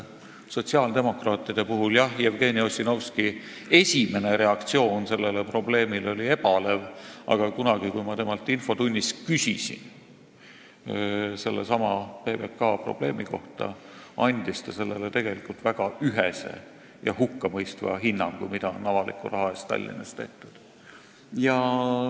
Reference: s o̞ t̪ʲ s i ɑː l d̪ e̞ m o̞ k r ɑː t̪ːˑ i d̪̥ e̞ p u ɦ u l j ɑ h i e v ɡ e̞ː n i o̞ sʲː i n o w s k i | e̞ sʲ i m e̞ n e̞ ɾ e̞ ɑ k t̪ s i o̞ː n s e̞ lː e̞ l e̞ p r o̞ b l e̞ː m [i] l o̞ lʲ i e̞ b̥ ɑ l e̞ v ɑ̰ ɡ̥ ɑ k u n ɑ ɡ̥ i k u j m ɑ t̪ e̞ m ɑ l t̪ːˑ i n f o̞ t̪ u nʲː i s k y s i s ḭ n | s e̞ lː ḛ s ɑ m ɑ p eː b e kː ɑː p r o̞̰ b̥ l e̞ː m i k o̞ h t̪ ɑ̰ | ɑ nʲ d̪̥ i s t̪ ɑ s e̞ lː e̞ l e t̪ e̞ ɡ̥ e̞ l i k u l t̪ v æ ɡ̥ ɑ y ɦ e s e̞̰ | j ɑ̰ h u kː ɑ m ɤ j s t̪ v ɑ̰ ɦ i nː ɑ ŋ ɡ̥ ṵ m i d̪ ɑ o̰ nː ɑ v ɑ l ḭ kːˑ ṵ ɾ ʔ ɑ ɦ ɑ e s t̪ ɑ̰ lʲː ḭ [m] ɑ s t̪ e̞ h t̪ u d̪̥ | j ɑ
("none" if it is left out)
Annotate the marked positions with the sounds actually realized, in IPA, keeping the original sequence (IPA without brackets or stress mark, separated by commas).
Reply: i, n